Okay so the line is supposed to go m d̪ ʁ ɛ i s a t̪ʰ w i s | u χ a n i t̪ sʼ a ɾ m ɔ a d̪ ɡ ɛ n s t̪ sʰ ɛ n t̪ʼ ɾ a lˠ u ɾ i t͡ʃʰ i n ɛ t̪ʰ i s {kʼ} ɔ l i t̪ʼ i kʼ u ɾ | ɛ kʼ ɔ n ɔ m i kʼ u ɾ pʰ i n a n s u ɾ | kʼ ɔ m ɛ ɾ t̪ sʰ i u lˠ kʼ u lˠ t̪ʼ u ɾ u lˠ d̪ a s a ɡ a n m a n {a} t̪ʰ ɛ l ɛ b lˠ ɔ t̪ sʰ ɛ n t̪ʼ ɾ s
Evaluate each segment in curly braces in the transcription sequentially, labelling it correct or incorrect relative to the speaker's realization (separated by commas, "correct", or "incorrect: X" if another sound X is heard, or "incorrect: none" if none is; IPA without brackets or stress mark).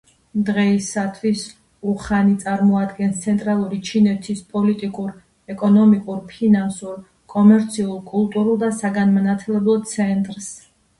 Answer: incorrect: pʼ, correct